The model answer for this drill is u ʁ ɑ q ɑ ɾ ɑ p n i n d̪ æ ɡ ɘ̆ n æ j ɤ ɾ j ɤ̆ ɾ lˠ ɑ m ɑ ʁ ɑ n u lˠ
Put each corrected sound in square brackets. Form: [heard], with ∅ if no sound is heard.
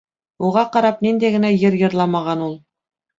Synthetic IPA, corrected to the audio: u ʁ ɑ q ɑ ɾ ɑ p n i n d̪ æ ɡ ɘ̆ n æ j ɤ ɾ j ɤ̆ ɾ lˠ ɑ m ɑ ʁ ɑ n u lˠ